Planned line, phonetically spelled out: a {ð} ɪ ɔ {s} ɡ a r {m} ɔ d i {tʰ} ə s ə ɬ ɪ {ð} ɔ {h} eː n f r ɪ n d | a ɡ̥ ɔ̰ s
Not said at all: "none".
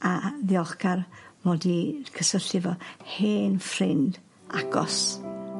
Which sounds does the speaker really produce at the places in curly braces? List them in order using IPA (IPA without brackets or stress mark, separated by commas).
ð, χ, m, kʰ, v, h